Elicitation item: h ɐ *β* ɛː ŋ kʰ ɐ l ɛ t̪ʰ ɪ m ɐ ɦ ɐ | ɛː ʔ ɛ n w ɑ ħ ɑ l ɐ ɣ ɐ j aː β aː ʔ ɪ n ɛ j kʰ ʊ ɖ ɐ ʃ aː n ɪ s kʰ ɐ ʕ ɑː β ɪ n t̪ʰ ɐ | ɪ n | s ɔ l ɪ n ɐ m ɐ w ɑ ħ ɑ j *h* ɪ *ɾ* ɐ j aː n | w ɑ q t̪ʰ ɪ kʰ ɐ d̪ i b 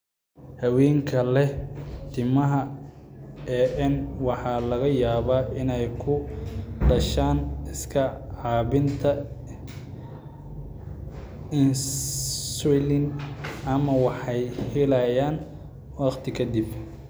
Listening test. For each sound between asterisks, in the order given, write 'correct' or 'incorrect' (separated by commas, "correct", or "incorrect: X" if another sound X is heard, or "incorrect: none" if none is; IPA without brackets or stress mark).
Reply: incorrect: w, correct, incorrect: l